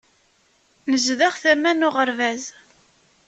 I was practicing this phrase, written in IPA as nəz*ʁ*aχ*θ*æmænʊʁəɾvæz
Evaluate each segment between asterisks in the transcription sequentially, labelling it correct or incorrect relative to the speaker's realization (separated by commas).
incorrect, correct